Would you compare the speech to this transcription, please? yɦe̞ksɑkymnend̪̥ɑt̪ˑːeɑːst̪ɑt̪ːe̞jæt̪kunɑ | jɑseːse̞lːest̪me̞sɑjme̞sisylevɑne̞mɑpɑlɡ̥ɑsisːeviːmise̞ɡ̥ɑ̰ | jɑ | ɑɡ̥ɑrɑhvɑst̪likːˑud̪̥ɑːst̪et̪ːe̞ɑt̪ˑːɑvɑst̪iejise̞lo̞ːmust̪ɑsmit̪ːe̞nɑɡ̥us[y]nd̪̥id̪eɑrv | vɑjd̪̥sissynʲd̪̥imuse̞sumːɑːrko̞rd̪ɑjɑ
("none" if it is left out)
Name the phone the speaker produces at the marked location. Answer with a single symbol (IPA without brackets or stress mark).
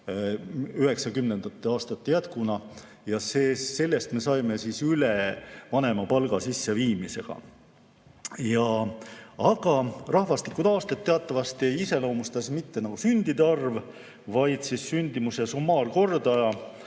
y